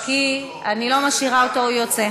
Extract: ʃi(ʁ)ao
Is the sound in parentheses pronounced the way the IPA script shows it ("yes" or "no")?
yes